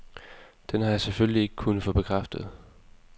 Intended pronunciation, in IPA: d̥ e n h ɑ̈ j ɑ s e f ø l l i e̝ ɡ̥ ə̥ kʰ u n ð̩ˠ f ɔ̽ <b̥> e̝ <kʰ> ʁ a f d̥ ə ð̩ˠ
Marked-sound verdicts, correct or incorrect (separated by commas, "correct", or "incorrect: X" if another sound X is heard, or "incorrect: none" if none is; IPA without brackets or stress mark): correct, correct